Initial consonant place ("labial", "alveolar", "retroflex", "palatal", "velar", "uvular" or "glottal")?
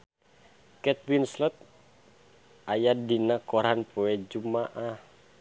velar